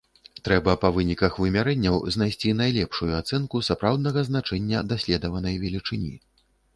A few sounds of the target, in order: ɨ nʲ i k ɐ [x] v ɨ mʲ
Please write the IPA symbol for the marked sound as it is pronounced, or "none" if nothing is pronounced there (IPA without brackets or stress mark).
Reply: x